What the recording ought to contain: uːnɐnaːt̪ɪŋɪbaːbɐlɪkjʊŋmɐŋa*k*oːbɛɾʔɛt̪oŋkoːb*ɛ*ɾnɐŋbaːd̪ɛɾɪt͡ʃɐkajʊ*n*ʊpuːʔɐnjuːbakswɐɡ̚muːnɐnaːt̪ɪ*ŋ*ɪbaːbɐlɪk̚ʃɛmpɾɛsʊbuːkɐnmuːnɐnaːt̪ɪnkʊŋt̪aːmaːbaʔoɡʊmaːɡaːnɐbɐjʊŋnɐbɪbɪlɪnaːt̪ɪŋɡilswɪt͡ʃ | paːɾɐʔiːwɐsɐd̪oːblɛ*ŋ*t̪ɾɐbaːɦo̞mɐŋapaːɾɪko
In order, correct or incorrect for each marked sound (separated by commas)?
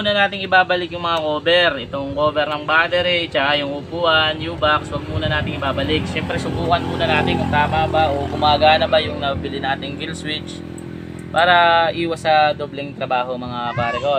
correct, correct, incorrect, correct, correct